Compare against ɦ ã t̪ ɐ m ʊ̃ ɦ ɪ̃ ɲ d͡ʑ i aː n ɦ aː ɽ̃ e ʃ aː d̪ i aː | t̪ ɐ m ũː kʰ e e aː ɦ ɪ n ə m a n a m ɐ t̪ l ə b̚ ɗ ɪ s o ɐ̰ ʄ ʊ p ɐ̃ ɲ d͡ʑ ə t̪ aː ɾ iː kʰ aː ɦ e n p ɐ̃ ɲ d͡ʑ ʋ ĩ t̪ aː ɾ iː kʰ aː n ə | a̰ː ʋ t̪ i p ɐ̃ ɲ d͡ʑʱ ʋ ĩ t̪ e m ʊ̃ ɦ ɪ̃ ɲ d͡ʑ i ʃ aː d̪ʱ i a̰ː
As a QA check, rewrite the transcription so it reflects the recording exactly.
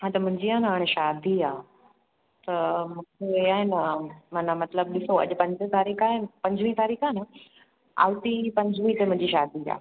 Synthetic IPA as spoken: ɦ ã t̪ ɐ m ʊ̃ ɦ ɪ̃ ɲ d͡ʑ i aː n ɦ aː ɽ̃ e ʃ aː d̪ i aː | t̪ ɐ m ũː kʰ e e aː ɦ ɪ n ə m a n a m ɐ t̪ l ə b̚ ɗ ɪ s o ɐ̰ ʄ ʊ p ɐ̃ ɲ d͡ʑ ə t̪ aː ɾ iː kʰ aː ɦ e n p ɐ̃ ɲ d͡ʑ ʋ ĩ t̪ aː ɾ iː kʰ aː n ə | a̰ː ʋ t̪ i p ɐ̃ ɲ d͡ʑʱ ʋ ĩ t̪ e m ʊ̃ ɦ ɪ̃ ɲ d͡ʑ i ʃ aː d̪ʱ i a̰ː